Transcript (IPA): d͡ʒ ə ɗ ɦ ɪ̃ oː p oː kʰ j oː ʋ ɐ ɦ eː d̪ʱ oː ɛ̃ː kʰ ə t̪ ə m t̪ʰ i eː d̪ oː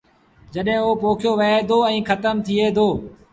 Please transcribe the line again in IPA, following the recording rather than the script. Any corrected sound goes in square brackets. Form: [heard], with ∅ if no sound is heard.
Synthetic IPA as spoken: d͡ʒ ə ɗ ɦ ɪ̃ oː p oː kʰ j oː ʋ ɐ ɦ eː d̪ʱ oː ɛ̃ː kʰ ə t̪ ə m t̪ʰ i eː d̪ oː